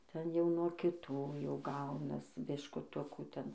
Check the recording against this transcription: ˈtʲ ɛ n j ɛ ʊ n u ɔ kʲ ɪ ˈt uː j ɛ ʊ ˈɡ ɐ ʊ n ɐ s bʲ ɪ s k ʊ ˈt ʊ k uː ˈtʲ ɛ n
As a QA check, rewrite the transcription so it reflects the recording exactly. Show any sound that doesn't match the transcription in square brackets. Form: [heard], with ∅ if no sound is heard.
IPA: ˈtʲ ɛ n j ɛ ʊ n u ɔ kʲ ɪ ˈt uː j ɛ ʊ ˈɡ ɐ ʊ n ɐ s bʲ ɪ [ʃ] k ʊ ˈt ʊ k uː ˈtʲ ɛ n